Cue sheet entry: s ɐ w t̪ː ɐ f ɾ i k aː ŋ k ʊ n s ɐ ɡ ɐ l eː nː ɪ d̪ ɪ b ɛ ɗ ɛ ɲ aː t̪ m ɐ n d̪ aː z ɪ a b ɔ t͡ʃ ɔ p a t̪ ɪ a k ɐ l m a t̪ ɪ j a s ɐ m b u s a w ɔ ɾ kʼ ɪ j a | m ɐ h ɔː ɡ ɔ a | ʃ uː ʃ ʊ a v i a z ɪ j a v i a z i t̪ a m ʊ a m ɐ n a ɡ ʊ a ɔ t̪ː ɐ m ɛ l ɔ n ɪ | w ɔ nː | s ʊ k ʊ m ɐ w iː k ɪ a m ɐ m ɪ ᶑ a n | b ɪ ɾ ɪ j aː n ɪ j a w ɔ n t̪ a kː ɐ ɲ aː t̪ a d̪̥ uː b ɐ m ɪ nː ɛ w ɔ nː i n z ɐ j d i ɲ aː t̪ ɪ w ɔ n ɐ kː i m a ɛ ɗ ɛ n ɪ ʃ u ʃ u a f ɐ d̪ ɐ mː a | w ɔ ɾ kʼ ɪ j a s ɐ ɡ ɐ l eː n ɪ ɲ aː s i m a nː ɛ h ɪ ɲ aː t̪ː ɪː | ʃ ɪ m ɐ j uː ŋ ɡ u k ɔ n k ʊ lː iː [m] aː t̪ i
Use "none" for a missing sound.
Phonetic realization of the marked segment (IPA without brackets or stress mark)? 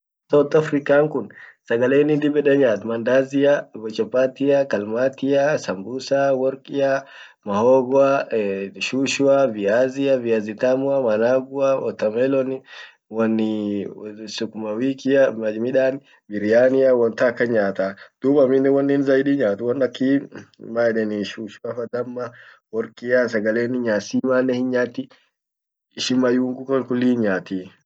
ɲ